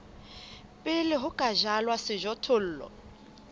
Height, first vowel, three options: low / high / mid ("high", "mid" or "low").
high